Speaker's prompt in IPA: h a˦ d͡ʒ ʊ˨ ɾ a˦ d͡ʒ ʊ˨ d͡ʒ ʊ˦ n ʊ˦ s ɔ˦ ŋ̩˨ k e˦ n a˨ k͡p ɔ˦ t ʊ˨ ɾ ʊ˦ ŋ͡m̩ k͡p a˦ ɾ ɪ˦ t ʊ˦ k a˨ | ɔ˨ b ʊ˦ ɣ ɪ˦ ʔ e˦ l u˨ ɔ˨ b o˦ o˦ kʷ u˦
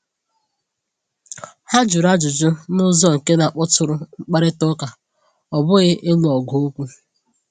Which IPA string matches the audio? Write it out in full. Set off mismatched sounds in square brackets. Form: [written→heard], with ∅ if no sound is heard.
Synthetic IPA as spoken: h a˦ d͡ʒ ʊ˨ ɾ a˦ d͡ʒ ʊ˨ d͡ʒ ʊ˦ n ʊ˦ [s→z] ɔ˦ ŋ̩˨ k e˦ n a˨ k͡p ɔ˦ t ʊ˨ ɾ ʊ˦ ŋ͡m̩ k͡p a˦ ɾ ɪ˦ t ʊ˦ k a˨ | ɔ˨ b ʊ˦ ɣ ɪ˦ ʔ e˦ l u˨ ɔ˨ [b→ɡ] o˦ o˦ kʷ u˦